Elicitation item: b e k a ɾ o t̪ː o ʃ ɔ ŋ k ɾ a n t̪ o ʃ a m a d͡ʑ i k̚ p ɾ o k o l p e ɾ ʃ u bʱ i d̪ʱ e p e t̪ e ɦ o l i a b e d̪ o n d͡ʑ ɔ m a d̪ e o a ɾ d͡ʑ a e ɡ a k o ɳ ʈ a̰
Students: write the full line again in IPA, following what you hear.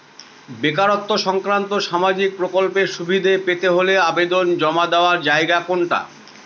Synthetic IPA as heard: b e k a ɾ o t̪ː o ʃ ɔ ŋ k ɾ a n t̪ o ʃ a m a d͡ʑ i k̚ p ɾ o k o l p e ɾ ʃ u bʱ i d̪ʱ e p e t̪ e ɦ o l e a b e d̪ o n d͡ʑ ɔ m a d̪ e o a ɾ d͡ʑ a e ɡ a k o ɳ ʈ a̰